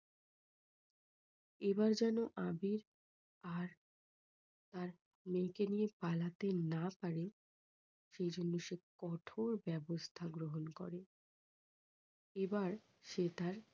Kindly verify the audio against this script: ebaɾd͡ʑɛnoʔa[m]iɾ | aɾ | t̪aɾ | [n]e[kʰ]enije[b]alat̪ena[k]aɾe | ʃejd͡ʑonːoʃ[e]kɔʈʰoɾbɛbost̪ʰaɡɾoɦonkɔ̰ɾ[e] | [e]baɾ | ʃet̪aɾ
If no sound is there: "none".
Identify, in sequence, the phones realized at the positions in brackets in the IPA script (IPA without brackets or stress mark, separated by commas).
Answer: b, m, k, p, p, e, e, e